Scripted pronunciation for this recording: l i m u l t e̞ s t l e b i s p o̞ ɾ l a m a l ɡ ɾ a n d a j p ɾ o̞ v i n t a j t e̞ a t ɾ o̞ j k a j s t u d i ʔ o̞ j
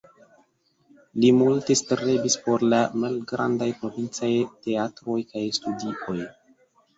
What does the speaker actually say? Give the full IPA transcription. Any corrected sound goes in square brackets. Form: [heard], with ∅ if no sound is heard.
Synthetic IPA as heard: l i m u l t e̞ s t [ɾ] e b i s p o̞ ɾ l a m a l ɡ ɾ a n d a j p ɾ o̞ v i n [t͡s] a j t e̞ a t ɾ o̞ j k a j s t u d i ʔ o̞ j